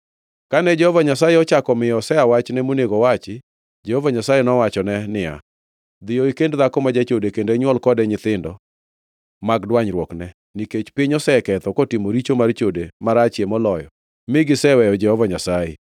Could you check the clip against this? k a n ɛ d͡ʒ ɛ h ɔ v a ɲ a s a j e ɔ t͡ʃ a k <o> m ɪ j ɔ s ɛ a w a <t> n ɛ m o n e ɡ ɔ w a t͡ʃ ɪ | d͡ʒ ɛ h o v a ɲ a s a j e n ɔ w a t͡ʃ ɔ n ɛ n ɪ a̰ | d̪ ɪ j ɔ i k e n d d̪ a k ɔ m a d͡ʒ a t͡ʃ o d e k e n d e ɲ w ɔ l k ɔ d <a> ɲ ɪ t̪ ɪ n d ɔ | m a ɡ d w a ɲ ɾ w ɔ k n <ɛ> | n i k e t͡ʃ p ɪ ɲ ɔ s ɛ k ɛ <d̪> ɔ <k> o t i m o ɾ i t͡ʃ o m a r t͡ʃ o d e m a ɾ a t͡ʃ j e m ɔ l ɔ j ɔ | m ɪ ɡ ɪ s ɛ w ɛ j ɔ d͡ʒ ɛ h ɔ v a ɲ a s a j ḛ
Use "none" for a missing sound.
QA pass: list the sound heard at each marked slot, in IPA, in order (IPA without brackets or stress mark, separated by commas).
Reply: ɔ, t͡ʃ, ɛ, ɛ, t̪, k